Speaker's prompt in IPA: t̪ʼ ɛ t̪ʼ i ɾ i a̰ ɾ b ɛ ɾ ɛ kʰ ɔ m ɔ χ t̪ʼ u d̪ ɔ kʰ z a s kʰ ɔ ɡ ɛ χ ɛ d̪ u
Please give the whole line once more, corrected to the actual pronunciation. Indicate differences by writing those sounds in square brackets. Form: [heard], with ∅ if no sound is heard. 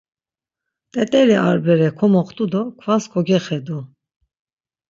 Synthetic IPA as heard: t̪ʼ ɛ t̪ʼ [ɛ] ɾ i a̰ ɾ b ɛ ɾ ɛ kʰ ɔ m ɔ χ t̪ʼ u d̪ ɔ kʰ [v] a s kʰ ɔ ɡ ɛ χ ɛ d̪ u